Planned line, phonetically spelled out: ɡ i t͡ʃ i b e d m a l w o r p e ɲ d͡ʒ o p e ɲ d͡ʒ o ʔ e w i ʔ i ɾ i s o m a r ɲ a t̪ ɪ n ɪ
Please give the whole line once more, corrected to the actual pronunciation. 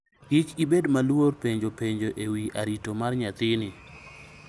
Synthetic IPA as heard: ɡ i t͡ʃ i b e d m a l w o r p e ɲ d͡ʒ o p e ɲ d͡ʒ o ʔ e w i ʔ a ɾ i t o m a r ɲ a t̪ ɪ n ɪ